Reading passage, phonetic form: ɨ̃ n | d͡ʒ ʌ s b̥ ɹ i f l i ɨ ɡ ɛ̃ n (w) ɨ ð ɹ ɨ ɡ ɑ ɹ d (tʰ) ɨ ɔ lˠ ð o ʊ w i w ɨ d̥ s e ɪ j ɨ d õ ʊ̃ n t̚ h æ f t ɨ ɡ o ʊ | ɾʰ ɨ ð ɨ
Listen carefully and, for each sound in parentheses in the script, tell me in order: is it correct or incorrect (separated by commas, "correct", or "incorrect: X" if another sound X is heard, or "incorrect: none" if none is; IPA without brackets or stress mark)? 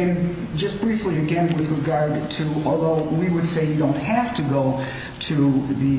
correct, correct